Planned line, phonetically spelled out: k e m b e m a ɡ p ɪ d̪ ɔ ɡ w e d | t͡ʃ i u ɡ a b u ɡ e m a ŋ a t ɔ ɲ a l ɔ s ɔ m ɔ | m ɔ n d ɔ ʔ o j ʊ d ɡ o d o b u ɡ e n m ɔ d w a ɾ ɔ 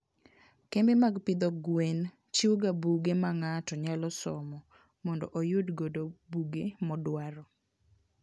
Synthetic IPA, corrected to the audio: k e m b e m a ɡ p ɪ d̪ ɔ ɡ w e n | t͡ʃ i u ɡ a b u ɡ e m a ŋ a t ɔ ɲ a l ɔ s ɔ m ɔ | m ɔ n d ɔ ʔ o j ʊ d ɡ o d o b u ɡ e m ɔ d w a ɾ ɔ